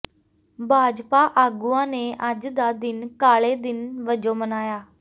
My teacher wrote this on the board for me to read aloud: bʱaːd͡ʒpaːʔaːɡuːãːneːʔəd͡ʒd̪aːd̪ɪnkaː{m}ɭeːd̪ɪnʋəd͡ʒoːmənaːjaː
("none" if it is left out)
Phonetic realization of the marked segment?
none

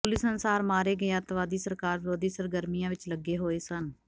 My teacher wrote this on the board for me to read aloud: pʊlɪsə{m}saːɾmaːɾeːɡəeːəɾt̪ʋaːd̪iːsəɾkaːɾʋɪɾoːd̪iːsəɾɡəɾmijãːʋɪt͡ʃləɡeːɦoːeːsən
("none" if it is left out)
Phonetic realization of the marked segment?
n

